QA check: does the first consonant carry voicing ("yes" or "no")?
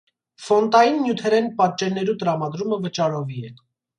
no